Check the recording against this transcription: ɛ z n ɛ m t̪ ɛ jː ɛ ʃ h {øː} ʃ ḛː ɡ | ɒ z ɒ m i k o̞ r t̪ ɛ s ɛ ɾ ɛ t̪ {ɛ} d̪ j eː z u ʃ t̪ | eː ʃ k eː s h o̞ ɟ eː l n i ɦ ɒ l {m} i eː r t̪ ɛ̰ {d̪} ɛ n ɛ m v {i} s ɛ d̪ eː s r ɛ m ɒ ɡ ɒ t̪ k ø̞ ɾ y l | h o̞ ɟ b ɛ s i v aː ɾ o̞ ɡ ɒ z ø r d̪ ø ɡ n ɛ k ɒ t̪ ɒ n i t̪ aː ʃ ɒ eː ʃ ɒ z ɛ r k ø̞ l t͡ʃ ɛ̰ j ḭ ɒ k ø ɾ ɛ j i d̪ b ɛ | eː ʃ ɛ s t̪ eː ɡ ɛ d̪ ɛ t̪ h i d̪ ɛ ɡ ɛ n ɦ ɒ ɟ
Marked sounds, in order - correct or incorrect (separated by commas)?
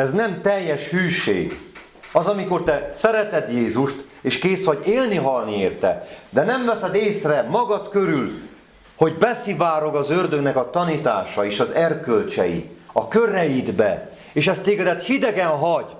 incorrect, correct, incorrect, correct, incorrect